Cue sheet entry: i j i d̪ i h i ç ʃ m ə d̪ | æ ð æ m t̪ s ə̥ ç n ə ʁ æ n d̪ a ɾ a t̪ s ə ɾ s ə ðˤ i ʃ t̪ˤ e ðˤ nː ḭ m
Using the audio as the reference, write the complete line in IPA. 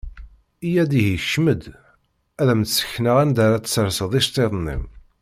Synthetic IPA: i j æ d̪ i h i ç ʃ m ə d̪ | æ ð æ m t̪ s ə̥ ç n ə ʁ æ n d̪ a ɾ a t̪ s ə ɾ s ə ðˤ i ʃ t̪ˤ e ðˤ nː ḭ m